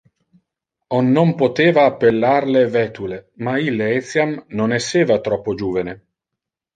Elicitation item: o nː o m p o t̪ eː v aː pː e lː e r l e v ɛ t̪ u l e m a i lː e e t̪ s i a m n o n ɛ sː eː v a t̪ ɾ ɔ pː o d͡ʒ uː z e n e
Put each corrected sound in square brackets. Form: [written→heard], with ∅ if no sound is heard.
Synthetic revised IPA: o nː o m p o t̪ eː v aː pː e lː [e→a] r l e v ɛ t̪ u l e m a i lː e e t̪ s [i→j] a m n o n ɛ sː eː v a t̪ ɾ ɔ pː o d͡ʒ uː [z→v] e n e